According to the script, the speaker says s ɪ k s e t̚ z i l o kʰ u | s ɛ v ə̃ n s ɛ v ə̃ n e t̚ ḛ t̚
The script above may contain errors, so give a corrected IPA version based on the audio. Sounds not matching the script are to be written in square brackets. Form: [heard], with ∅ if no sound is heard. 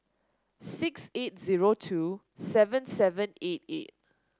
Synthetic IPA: s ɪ k s e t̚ z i [ɹ] o [tʰ] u | s ɛ v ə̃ n s ɛ v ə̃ n e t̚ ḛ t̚